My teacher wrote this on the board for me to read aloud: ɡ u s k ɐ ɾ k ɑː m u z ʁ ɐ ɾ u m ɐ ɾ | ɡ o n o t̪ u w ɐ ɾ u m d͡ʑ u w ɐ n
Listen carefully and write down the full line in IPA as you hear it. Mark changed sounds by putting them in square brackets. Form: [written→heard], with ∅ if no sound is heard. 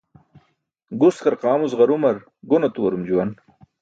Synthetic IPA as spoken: ɡ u s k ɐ ɾ [k→q] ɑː m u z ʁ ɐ ɾ u m ɐ ɾ | ɡ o n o t̪ u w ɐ ɾ u m d͡ʑ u w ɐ n

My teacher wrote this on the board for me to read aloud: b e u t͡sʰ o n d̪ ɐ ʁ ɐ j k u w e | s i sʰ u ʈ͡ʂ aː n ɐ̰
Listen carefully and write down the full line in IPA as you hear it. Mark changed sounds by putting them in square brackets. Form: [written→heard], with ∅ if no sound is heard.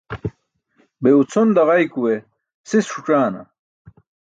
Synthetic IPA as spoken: b e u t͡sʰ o n d̪ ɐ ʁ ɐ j k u w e | s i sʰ u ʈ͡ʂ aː n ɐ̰

